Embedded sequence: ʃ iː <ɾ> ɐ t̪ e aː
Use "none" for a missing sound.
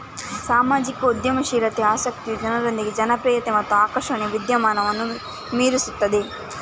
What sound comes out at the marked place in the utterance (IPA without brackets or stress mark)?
ɾ